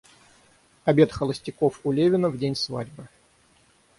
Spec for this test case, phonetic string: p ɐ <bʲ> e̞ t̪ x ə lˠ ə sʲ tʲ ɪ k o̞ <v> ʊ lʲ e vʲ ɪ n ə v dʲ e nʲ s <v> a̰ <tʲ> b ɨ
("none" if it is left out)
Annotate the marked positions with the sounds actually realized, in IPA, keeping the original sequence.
bʲ, f, v, dʲ

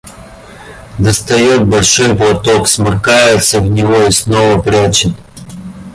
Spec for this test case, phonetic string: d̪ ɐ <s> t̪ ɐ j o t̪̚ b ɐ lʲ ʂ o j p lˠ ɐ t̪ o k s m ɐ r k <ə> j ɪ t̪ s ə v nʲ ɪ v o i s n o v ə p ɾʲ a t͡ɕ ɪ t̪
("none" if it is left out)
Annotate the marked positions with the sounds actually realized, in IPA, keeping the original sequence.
s, a

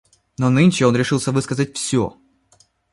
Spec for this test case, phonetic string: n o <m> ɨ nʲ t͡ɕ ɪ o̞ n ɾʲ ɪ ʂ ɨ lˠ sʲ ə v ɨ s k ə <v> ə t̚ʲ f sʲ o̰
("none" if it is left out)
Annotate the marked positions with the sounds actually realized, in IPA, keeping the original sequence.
n, z

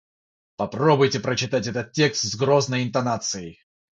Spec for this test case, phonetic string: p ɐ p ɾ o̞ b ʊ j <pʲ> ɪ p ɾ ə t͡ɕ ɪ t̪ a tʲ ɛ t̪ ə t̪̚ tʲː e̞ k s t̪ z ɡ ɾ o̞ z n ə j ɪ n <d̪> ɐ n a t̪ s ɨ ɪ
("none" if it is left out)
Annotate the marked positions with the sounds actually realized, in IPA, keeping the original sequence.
tʲ, t̪

